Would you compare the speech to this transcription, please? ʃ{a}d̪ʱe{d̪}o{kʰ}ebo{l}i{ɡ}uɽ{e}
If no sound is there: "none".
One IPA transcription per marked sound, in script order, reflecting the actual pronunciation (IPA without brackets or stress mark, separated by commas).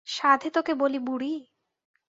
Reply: a, t̪, k, l, b, i